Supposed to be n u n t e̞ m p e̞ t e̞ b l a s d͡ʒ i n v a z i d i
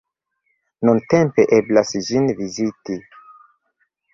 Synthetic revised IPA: n u n t e̞ m p e̞ ʔ e̞ b l a s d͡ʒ i n v i z i t i

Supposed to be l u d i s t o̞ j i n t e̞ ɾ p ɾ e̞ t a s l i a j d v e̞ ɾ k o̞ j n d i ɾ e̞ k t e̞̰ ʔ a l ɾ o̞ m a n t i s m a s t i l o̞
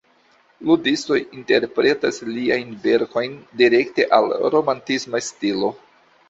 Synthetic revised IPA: l u d i s t o̞ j i n t e̞ ɾ p ɾ e̞ t a s l i a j n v e̞ ɾ k o̞ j n d i ɾ e̞ k t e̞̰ ʔ a l ɾ o̞ m a n t i s m a s t i l o̞

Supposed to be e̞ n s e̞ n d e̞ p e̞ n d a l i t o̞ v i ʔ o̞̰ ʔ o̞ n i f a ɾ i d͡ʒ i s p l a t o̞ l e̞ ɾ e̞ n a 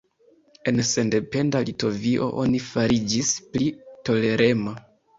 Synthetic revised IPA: e̞ n s e̞ n d e̞ p e̞ n d a l i t o̞ v i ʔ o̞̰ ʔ o̞ n i f a ɾ i d͡ʒ i s p l i t o̞ l e̞ ɾ e̞ m a

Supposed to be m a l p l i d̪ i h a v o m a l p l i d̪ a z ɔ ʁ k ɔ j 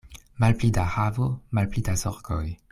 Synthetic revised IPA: m a l p l i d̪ a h a v o m a l p l i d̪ a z ɔ ʁ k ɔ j

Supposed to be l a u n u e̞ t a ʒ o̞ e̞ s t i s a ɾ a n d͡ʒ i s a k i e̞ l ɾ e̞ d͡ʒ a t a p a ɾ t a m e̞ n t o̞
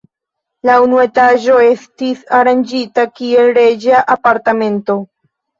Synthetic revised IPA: l a u n u e̞ t a ʒ o̞ e̞ s t i s a ɾ a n d͡ʒ i t a k i e̞ l ɾ e̞ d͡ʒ a ʔ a p a ɾ t a m e̞ n t o̞

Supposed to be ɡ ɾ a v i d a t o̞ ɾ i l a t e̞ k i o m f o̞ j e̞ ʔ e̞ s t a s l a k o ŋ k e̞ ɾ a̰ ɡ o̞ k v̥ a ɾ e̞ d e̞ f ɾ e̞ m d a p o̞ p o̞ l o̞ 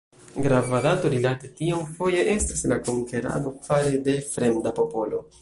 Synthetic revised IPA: ɡ ɾ a v a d a t o̞ ɾ i l a t e̞ t i o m f o̞ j e̞ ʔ e̞ s t a s l a k o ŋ k e̞ ɾ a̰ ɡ o̞ k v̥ a ɾ e̞ d e̞ f ɾ e̞ m d a p o̞ p o̞ l o̞

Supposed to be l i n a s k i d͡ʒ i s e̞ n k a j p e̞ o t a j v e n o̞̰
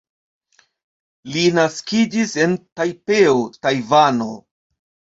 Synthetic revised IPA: l i n a s k i d͡ʒ i s e̞ n t a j p e̞ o t a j v a n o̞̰

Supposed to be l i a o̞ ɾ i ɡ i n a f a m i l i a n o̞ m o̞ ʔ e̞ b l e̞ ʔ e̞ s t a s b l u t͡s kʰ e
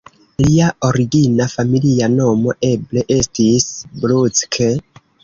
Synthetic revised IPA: l i a o̞ ɾ i ɡ i n a f a m i l i a n o̞ m o̞ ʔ e̞ b l e̞ ʔ e̞ s t i s b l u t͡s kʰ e

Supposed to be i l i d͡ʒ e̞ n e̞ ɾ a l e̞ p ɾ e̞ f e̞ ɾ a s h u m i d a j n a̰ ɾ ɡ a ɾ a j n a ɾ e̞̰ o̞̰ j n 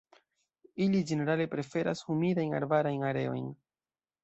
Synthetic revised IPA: i l i d͡ʒ e̞ n e̞ ɾ a l e̞ p ɾ e̞ f e̞ ɾ a s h u m i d a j n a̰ ɾ b a ɾ a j n a ɾ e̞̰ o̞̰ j n

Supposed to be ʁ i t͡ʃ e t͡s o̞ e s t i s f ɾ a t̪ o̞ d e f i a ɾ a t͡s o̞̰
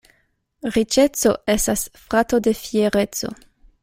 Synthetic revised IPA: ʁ i t͡ʃ e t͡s o̞ e s t a s f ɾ a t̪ o̞ d e f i e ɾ e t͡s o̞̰

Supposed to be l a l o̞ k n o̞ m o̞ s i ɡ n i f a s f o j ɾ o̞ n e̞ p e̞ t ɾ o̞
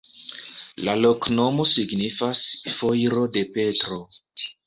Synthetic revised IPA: l a l o̞ k n o̞ m o̞ s i ɡ n i f a s f o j ɾ o̞ d e̞ p e̞ t ɾ o̞

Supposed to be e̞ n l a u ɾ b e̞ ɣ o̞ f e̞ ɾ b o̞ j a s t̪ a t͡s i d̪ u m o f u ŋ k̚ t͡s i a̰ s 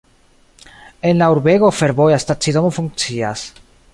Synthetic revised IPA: e̞ n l a u ɾ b e̞ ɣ o̞ f e̞ ɾ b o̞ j a s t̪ a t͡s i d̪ o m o f u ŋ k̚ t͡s i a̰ s

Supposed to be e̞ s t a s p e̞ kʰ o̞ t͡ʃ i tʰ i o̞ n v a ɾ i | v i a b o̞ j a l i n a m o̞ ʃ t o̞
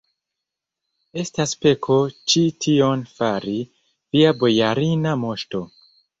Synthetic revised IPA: e̞ s t a s p e̞ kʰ o̞ t͡ʃ i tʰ i o̞ n f a ɾ i | v i a b o̞ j a ɾ i n a m o̞ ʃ t o̞

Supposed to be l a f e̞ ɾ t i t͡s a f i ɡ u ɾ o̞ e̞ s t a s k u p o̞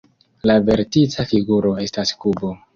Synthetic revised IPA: l a v e̞ ɾ t i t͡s a f i ɡ u ɾ o̞ e̞ s t a s k u b o̞

